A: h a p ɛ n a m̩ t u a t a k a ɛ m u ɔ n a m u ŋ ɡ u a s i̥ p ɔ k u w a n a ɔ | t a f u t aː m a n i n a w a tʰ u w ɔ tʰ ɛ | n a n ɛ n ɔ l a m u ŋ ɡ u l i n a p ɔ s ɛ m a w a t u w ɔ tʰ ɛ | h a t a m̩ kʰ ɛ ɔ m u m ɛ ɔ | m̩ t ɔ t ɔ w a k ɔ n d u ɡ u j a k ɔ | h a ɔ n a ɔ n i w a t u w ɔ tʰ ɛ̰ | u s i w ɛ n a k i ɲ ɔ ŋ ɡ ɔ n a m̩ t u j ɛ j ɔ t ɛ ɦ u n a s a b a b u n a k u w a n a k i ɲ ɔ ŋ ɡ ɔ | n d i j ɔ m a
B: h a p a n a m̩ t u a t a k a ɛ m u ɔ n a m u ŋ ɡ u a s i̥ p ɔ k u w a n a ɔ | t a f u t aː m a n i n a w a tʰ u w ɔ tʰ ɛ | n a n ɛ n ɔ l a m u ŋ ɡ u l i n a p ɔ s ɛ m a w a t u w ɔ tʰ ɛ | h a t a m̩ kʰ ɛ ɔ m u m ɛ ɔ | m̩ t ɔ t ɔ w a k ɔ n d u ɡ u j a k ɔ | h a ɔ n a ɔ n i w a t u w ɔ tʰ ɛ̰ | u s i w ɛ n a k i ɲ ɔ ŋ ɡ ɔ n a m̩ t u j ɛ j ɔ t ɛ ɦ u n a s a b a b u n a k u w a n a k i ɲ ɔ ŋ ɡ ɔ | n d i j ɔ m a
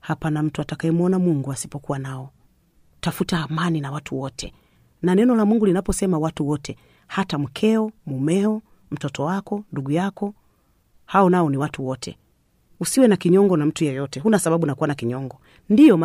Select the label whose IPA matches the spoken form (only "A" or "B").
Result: B